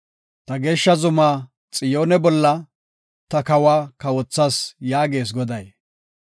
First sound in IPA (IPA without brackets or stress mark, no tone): t̪